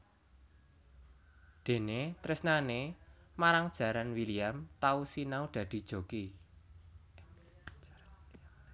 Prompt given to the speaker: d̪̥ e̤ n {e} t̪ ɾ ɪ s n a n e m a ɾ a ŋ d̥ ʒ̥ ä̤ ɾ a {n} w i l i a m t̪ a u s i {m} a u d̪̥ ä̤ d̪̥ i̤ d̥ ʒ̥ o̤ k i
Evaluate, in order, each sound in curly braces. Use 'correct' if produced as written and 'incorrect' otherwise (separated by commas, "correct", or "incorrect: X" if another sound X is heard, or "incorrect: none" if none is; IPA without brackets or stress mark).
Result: correct, correct, incorrect: n